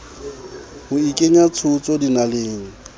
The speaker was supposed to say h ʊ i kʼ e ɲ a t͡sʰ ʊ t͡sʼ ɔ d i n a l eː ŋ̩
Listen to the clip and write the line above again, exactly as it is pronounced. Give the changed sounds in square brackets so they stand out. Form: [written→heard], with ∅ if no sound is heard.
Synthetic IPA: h ʊ i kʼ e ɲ a t͡sʰ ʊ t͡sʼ ɔ d i n a l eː ŋ̩